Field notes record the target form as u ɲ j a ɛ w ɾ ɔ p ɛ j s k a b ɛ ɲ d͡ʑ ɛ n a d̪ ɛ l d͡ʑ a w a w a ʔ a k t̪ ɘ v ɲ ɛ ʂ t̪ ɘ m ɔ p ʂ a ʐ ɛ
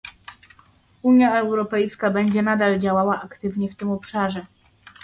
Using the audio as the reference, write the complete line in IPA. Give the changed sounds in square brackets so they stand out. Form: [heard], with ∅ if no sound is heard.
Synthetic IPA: u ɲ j a ɛ w ɾ ɔ p ɛ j s k a b ɛ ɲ d͡ʑ ɛ n a d̪ [a] l d͡ʑ a w a w a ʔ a k t̪ ɘ v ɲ ɛ [f] t̪ ɘ m ɔ p ʂ a ʐ ɛ